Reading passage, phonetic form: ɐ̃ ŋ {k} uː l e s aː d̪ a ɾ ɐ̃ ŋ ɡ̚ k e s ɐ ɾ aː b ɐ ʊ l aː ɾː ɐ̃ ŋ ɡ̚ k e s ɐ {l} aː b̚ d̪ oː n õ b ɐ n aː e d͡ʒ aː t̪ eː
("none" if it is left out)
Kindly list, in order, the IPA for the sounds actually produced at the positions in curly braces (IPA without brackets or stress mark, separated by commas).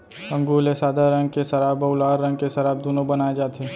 ɡ, ɾ